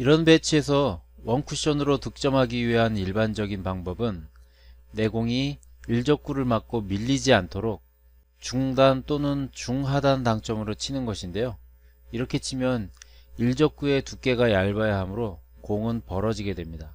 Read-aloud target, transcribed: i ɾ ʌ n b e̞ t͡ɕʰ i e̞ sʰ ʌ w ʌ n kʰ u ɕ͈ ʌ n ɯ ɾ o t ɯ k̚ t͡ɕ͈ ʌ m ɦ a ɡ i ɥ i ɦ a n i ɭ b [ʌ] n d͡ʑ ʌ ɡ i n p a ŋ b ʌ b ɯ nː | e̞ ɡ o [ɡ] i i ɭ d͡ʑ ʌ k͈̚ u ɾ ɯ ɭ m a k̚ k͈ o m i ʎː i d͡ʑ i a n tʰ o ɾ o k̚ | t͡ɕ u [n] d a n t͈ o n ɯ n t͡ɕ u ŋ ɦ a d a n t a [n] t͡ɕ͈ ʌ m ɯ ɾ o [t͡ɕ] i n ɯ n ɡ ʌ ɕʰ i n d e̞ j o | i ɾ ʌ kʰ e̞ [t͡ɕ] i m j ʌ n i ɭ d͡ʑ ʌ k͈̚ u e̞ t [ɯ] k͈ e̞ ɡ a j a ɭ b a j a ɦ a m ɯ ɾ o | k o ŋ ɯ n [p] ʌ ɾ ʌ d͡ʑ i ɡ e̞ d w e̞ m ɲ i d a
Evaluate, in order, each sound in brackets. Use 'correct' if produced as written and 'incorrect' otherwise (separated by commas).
incorrect, incorrect, incorrect, incorrect, incorrect, incorrect, incorrect, correct